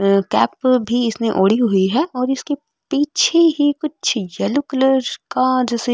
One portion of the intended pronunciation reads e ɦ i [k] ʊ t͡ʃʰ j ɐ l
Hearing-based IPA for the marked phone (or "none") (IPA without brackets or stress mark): k